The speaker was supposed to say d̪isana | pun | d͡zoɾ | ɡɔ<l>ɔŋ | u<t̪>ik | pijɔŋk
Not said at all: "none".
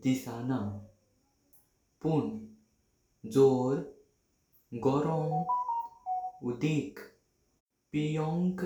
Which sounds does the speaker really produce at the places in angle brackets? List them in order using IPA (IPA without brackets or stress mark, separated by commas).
ɾ, d̪